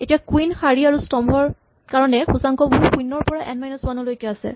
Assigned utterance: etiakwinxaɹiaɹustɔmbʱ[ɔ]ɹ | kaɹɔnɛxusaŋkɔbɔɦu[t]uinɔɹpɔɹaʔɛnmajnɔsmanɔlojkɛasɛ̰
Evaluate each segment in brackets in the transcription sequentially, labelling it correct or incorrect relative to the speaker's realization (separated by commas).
correct, incorrect